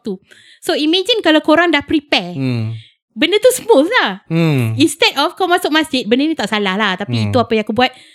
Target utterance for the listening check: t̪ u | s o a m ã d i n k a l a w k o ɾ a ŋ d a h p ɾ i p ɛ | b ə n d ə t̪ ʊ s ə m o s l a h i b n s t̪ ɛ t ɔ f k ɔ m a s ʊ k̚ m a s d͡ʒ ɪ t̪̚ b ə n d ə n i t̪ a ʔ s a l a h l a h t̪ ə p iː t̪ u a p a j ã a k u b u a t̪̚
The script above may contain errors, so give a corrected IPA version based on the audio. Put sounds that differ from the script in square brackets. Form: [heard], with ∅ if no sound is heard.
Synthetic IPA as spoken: t̪ u | s o [i] m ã [d͡ʒ] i n k a l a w k o ɾ a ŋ d a h p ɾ i p ɛ | b ə n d ə t̪ [u] s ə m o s l a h i [∅] n s t̪ ɛ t ɔ f k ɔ m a s ʊ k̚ m a s d͡ʒ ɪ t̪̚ b ə n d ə n i t̪ a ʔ s a l a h l a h t̪ [a] p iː t̪ u a p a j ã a k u b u a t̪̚